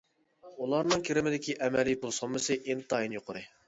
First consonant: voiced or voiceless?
voiced